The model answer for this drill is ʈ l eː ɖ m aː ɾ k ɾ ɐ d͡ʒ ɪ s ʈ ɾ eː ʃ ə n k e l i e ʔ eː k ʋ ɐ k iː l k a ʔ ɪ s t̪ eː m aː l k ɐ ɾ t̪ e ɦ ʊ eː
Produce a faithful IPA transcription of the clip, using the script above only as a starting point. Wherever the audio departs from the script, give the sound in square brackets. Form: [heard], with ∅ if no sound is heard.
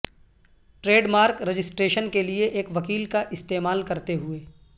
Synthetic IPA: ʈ [ɾ] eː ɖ m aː ɾ k ɾ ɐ d͡ʒ ɪ s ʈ ɾ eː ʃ ə n k e l i e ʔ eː k ʋ ɐ k iː l k a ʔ ɪ s t̪ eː m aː l k ɐ ɾ t̪ e ɦ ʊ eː